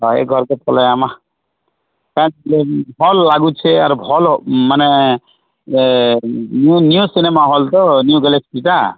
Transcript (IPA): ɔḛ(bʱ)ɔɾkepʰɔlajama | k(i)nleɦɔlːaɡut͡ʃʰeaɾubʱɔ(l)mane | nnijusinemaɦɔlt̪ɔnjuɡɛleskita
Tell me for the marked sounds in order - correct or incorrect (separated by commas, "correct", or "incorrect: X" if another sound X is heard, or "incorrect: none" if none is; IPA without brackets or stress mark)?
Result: incorrect: ɡʱ, incorrect: a, correct